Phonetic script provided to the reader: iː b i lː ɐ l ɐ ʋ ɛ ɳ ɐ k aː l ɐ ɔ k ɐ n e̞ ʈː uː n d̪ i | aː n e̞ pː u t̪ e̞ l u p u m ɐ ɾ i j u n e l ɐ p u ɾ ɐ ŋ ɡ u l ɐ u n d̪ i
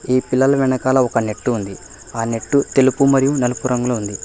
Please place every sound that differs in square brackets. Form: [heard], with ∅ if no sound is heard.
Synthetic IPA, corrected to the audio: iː [p] i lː ɐ l ɐ ʋ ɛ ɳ ɐ k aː l ɐ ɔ k ɐ n e̞ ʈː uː n d̪ i | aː n e̞ [ʈː] u t̪ e̞ l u p u m ɐ ɾ i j u n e l ɐ p u ɾ ɐ ŋ ɡ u l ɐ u n d̪ i